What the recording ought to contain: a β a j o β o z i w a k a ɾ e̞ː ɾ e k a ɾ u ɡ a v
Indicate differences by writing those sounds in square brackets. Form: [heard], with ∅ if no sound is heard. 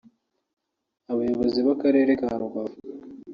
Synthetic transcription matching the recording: a β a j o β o z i [β] a k a ɾ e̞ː ɾ e k a ɾ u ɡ a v